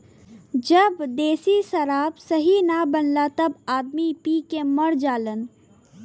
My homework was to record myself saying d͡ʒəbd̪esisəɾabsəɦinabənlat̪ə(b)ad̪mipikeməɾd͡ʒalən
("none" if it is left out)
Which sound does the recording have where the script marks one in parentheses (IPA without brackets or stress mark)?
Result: b